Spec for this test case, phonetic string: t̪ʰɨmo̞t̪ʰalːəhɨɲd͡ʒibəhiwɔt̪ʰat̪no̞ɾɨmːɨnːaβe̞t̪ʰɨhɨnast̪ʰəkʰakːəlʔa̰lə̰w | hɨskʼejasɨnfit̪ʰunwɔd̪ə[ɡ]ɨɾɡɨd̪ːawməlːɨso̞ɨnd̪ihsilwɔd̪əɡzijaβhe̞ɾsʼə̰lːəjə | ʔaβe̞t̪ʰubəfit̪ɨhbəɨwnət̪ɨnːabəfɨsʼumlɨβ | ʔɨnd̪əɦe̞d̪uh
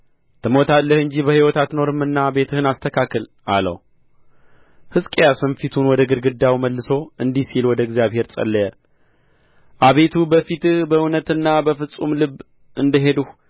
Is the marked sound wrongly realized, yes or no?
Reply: no